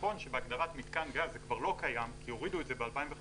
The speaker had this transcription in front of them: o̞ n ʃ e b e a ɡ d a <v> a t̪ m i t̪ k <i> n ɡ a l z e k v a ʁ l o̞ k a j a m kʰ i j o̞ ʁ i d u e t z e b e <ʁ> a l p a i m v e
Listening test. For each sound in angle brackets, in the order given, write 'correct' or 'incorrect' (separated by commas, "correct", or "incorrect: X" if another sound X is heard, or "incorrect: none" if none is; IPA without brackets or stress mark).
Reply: incorrect: ʁ, incorrect: a, incorrect: none